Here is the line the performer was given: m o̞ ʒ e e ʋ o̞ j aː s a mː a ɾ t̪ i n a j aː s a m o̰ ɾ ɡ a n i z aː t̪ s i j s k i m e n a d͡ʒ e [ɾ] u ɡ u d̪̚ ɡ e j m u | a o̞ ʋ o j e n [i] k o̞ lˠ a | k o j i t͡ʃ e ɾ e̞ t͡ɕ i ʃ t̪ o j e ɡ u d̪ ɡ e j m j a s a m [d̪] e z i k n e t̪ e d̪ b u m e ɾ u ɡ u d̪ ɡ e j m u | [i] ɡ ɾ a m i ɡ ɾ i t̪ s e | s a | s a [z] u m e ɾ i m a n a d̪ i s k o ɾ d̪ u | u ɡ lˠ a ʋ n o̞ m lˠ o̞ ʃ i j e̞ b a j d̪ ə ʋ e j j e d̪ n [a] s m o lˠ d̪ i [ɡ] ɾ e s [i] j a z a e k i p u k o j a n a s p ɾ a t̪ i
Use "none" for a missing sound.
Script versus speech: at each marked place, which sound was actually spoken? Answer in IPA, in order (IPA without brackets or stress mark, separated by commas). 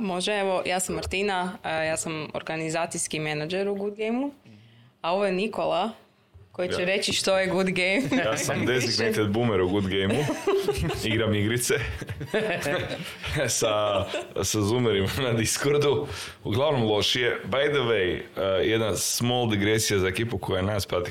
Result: ɾ, i, d̪, i, z, a, ɡ, i